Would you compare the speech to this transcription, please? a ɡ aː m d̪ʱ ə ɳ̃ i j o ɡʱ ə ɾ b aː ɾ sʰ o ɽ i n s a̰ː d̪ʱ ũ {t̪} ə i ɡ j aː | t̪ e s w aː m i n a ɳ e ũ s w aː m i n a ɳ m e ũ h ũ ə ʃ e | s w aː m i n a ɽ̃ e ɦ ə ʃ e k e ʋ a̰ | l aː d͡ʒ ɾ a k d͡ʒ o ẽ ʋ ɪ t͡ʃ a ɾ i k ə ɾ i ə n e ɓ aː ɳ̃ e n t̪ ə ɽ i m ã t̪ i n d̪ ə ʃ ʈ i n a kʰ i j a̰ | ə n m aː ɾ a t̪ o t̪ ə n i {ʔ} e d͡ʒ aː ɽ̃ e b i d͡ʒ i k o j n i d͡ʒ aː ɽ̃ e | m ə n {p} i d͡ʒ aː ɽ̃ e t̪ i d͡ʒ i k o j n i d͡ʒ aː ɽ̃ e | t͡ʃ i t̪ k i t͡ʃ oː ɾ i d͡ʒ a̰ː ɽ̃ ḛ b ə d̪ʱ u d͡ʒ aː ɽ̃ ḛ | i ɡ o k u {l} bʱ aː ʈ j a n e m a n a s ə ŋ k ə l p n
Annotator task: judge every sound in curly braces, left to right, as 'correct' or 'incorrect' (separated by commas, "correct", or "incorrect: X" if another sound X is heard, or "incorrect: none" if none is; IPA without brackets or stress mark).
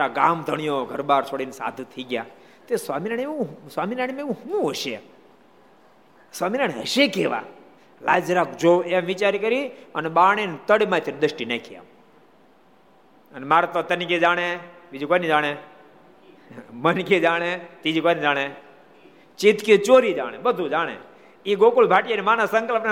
incorrect: t̪ʰ, incorrect: k, incorrect: k, correct